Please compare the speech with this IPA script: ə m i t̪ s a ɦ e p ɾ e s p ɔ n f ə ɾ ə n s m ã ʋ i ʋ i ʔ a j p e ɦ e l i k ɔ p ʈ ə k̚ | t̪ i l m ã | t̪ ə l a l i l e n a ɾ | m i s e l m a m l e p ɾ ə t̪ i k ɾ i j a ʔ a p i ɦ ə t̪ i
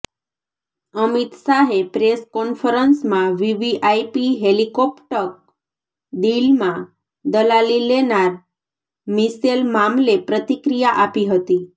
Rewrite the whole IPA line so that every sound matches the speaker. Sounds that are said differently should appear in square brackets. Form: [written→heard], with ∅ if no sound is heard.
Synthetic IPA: ə m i t̪ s a ɦ e p ɾ e s [p→k] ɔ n f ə ɾ ə n s m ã ʋ i ʋ i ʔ a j p [e→i] ɦ e l i k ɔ p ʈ ə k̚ | [t̪→d̪] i l m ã | [t̪→d̪] ə l a l i l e n a ɾ | m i s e l m a m l e p ɾ ə t̪ i k ɾ i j a ʔ a p i ɦ ə t̪ i